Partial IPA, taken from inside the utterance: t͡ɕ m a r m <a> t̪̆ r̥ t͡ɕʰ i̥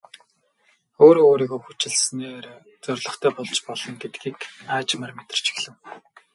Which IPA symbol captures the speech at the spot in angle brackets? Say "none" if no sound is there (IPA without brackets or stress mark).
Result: e